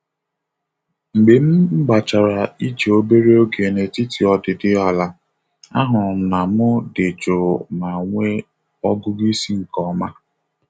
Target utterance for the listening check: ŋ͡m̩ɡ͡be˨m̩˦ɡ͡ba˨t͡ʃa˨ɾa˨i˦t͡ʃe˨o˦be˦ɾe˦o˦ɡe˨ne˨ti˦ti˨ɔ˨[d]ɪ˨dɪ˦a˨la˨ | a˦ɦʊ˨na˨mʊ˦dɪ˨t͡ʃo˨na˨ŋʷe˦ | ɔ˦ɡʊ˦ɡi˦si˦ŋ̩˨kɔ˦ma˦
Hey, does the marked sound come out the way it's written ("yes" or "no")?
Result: yes